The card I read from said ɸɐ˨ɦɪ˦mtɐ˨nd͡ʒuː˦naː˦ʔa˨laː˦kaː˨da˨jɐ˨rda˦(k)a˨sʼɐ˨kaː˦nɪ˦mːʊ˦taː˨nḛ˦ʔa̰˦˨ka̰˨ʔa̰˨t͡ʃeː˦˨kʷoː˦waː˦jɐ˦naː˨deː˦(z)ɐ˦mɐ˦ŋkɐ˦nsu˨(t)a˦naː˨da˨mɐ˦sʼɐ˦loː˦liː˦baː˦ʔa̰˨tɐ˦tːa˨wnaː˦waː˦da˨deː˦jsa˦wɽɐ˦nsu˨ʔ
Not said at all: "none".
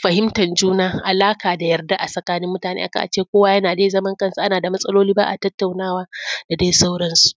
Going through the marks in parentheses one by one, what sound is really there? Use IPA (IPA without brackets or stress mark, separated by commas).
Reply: ʔ, z, ʔ